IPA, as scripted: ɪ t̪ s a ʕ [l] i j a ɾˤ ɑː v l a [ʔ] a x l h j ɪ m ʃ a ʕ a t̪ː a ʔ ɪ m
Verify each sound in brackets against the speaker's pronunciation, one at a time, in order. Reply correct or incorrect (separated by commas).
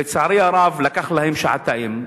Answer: incorrect, incorrect